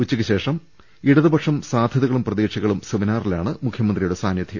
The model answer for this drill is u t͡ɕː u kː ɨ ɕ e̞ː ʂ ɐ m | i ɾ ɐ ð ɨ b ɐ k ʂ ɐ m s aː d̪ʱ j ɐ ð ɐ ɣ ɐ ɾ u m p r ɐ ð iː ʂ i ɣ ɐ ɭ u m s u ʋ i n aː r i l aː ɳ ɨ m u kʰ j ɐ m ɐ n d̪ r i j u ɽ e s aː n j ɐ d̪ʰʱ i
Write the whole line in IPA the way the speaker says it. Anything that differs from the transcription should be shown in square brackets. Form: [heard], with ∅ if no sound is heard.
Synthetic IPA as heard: u t͡ɕː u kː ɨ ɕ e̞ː ʂ ɐ m | i [ɽ] ɐ ð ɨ b ɐ k ʂ ɐ m s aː d̪ʱ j ɐ ð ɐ ɣ ɐ [ɭ] u m p r ɐ ð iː ʂ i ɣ ɐ ɭ u m s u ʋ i n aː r i l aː ɳ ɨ m u kʰ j ɐ m ɐ n d̪ r i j u ɽ e s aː n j ɐ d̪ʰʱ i

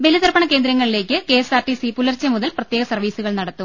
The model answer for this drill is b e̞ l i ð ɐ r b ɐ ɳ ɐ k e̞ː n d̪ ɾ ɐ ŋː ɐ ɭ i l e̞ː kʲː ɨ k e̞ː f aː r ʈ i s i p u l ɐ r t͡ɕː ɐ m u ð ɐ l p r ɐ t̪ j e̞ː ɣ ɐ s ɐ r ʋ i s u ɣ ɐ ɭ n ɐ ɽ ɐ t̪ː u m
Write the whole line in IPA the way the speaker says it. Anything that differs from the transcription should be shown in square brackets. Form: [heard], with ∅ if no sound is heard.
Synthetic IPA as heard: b e̞ l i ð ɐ r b ɐ ɳ ɐ k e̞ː n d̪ ɾ ɐ ŋː ɐ ɭ i l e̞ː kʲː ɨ k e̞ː [s] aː r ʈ i s i p u l ɐ r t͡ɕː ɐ m u ð ɐ l p r ɐ t̪ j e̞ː ɣ ɐ s ɐ r ʋ [iː] s u ɣ ɐ ɭ n ɐ ɽ ɐ t̪ː u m

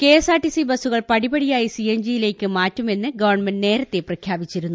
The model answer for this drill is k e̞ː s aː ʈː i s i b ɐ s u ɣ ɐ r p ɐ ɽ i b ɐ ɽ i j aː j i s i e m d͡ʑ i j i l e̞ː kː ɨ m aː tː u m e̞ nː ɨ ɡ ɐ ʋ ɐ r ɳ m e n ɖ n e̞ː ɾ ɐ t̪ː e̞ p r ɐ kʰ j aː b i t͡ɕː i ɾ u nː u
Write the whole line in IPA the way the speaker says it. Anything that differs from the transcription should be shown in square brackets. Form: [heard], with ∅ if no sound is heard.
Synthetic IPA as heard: k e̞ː s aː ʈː i s i b ɐ s u ɣ ɐ [ɭ] p ɐ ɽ i b ɐ ɽ i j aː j i s i e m d͡ʑ i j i l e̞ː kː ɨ m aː tː u m e̞ nː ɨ ɡ ɐ ʋ ɐ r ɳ m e n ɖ n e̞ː ɾ ɐ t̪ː e̞ p r ɐ kʰ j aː b i t͡ɕː i ɾ u nː u

